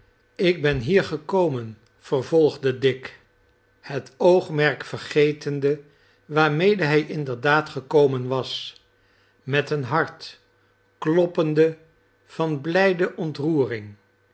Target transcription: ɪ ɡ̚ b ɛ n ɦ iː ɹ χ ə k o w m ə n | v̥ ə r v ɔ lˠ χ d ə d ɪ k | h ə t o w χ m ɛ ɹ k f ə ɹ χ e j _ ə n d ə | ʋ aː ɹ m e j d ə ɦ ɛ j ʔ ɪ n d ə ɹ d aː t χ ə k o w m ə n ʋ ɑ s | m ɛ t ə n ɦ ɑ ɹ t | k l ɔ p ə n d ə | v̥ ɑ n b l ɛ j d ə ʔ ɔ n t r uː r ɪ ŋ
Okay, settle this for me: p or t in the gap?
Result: t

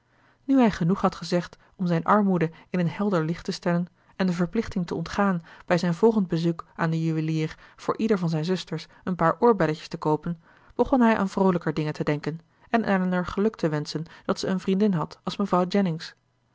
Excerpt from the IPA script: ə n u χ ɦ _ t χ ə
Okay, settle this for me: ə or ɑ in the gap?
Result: ɑ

